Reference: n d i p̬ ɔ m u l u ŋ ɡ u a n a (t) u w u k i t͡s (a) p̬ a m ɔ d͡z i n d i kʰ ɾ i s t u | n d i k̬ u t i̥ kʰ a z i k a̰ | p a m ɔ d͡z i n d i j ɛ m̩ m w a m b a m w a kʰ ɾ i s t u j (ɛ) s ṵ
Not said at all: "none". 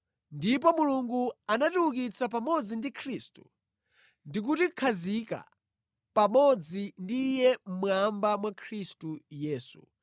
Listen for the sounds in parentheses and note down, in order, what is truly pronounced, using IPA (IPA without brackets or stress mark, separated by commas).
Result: t, a, ɛː